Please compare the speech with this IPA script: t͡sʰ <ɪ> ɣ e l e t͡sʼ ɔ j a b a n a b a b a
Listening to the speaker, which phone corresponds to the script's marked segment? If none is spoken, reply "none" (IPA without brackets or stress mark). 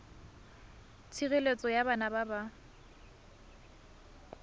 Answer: i